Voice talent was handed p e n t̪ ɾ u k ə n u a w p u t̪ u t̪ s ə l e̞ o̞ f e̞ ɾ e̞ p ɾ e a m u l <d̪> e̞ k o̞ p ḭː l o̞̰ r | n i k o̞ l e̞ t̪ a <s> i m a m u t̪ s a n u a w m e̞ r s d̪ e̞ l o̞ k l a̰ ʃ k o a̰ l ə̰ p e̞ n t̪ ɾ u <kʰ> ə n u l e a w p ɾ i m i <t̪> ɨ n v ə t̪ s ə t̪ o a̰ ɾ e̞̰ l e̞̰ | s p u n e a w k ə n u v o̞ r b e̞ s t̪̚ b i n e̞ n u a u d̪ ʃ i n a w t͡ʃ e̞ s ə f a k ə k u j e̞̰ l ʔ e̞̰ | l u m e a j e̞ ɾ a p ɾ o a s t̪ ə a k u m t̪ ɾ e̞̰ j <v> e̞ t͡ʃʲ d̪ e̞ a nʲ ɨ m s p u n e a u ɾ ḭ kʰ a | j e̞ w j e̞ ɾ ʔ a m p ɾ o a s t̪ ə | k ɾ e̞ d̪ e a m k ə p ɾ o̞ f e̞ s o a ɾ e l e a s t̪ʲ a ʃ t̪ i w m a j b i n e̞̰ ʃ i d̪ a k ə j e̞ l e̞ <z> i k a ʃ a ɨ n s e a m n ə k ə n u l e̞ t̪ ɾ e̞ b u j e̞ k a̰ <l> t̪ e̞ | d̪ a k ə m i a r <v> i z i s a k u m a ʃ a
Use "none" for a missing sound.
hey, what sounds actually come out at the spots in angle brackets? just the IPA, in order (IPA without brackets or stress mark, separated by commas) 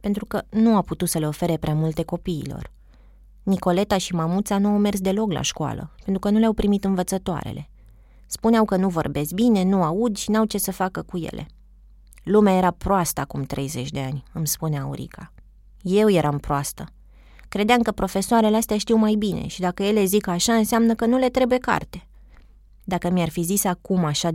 t̪, ʃ, k, t̪, z, z, r, f